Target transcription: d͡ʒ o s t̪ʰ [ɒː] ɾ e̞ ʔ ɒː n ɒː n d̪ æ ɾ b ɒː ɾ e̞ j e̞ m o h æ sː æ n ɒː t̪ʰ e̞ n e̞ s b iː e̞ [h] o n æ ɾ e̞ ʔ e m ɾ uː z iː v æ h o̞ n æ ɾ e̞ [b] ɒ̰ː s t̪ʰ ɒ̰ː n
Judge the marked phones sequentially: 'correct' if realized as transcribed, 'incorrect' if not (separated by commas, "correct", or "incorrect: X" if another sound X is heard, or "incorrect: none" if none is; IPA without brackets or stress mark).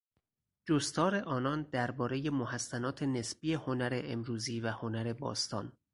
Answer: correct, correct, correct